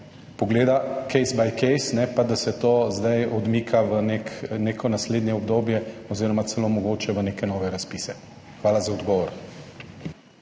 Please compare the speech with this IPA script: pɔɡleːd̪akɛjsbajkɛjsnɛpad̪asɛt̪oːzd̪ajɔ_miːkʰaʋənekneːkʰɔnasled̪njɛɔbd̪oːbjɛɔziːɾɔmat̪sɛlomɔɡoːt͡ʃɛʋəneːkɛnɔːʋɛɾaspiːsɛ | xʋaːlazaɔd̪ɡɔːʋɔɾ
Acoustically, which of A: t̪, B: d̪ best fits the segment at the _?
B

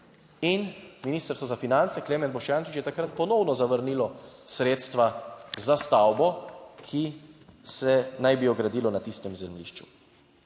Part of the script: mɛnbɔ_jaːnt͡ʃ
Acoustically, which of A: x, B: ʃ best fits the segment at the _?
B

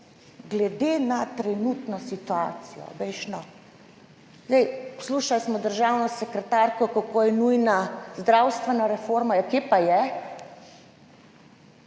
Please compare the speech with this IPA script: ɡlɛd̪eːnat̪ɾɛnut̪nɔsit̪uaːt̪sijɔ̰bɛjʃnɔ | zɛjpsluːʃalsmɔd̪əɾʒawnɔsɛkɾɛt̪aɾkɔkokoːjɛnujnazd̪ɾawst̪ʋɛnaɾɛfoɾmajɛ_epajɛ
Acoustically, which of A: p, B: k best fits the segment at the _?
B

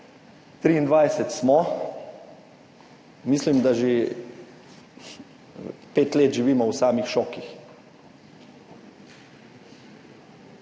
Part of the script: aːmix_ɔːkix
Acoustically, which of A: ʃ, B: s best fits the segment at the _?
A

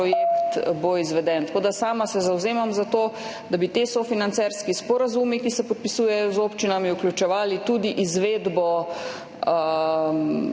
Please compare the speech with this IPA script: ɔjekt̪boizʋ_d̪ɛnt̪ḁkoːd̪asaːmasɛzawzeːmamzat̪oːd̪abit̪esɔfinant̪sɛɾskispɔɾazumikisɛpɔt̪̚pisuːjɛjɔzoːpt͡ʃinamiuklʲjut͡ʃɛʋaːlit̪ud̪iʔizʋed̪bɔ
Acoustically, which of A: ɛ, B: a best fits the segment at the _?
A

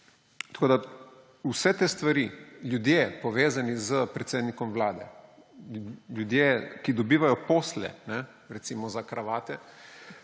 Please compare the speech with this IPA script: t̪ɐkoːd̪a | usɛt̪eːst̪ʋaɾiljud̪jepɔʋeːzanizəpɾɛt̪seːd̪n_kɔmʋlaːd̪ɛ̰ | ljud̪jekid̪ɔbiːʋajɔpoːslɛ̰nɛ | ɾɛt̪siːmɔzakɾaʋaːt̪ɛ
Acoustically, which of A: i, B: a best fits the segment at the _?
A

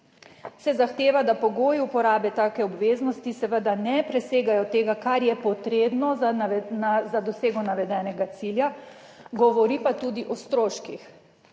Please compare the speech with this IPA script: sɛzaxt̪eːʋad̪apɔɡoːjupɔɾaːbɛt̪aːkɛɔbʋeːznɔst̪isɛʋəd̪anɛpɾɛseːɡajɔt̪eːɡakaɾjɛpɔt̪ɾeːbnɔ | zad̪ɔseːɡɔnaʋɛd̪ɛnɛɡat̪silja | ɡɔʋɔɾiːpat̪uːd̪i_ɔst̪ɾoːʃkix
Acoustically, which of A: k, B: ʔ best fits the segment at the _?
B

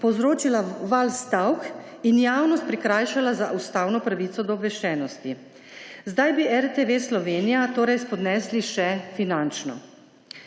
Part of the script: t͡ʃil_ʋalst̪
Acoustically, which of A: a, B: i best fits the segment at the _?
A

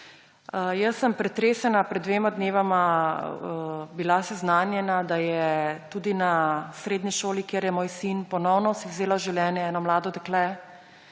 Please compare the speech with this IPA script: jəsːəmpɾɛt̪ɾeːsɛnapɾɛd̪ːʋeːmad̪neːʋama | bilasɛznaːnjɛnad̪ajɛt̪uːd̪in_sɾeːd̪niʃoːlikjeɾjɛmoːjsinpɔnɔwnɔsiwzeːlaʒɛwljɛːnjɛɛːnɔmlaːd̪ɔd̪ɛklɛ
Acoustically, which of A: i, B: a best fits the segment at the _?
B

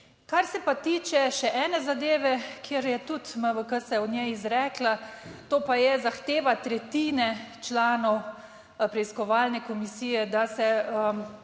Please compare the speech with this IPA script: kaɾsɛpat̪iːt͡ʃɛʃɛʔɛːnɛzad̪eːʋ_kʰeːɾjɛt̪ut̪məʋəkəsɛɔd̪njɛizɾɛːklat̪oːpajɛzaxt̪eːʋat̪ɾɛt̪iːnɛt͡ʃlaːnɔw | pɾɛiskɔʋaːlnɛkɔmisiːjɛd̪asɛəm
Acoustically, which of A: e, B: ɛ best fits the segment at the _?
B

